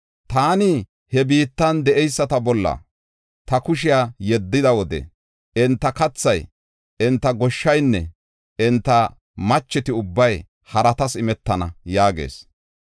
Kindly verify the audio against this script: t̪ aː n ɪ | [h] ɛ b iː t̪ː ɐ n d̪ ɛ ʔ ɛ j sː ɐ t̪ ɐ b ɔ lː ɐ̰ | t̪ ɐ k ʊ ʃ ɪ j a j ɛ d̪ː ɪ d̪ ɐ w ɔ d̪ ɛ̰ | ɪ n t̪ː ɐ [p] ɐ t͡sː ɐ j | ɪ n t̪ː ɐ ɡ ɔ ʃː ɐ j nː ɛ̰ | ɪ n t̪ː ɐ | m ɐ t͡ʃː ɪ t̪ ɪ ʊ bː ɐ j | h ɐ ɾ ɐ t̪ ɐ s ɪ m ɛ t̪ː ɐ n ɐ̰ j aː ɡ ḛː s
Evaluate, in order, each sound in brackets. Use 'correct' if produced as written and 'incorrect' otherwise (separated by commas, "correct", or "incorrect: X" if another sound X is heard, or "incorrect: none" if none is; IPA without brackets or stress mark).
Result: correct, incorrect: k